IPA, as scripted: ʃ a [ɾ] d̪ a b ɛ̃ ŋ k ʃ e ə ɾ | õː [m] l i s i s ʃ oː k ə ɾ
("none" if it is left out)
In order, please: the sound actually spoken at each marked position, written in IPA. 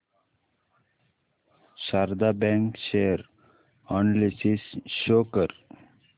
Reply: ɾ, n

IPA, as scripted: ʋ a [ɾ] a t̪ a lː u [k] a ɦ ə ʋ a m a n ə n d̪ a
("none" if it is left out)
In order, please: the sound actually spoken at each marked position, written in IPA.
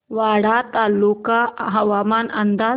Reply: ɽ, k

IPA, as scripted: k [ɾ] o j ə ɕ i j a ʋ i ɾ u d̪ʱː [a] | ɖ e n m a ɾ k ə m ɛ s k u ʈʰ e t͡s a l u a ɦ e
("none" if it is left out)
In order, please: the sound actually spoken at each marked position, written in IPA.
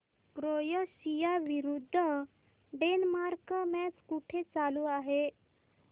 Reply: ɾ, ə

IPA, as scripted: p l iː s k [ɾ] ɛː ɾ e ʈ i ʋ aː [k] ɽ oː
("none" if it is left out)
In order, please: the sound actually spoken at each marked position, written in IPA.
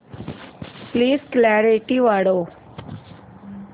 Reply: l, none

